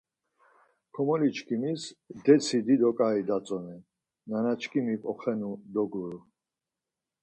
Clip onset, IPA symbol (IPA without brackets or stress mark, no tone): kʰ